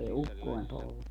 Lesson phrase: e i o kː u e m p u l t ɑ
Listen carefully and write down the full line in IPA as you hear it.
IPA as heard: e i u kː o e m p o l t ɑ

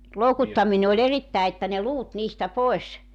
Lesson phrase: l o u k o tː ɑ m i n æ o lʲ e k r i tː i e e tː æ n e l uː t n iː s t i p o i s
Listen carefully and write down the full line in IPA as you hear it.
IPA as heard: l o u k u tː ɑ m i n e o lʲ e r i tː æ e e tː æ n e l uː t n iː s t æ p o e s

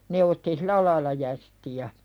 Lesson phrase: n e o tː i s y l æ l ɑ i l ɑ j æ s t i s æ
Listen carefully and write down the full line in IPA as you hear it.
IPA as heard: n e o tː i s i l æ l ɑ i l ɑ j æ s t i æ

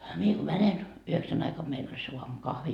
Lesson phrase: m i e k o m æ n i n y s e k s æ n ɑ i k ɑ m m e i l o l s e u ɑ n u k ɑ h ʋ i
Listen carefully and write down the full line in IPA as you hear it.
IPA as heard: m i e k o m æ n e n y h e k s æ n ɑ i k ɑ m m e i l o l s e u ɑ m u k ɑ h ʋ i

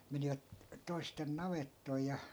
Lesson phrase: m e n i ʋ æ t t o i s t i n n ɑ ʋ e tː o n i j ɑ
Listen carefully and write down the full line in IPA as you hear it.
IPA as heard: m e n i ʋ æ t t o i s t e n n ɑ ʋ e tː o i j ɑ

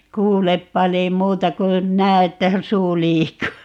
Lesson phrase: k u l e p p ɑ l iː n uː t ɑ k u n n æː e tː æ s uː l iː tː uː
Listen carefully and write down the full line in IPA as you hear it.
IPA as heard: k uː l e p p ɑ l iː m uː t ɑ k u n n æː e tː æ s uː l iː kː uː

